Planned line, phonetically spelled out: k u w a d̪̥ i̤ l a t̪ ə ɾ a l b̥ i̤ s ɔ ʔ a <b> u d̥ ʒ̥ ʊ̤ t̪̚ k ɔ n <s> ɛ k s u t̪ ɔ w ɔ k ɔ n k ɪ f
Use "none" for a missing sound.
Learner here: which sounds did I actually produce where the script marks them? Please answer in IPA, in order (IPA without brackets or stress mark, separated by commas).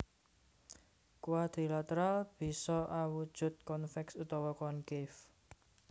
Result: w, f